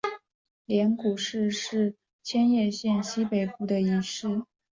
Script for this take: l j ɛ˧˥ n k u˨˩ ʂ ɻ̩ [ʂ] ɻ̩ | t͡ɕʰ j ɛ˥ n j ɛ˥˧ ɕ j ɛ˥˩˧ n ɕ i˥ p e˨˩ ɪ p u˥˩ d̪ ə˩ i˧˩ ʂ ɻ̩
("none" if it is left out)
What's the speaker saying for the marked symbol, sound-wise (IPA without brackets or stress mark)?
ʂ